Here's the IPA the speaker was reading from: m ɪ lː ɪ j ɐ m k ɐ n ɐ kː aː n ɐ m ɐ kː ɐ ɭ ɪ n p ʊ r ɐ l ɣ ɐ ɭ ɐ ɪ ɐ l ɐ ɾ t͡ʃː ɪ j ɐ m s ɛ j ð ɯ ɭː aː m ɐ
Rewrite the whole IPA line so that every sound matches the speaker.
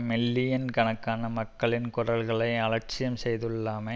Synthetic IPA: m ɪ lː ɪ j ɐ n k ɐ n ɐ kː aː n ɐ m ɐ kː ɐ ɭ ɪ n k ʊ r ɐ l ɣ ɐ ɭ ɐ ɪ ɐ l ɐ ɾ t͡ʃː ɪ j ɐ m s ɛ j ð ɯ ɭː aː m ɐ